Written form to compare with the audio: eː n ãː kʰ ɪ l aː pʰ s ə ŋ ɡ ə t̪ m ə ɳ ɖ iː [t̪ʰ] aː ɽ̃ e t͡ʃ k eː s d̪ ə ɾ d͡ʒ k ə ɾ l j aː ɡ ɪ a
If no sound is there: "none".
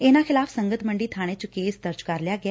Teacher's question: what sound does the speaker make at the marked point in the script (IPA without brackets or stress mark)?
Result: t̪ʰ